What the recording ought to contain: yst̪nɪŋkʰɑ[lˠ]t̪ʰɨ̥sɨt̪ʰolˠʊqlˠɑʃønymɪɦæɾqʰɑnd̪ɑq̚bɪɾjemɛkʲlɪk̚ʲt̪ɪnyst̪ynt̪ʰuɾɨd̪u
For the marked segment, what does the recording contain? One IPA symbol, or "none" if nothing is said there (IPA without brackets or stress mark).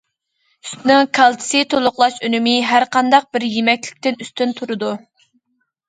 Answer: lˠ